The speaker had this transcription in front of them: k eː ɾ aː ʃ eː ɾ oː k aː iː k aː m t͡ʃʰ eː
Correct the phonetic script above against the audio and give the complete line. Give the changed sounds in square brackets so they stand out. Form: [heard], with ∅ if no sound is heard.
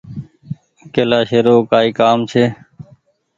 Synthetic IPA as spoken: k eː [l] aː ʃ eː ɾ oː k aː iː k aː m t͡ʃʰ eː